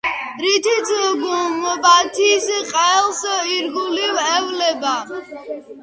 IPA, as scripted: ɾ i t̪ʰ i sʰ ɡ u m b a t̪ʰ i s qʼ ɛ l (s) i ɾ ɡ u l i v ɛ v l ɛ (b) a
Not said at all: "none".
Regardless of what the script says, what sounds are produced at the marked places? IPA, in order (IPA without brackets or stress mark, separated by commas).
s, b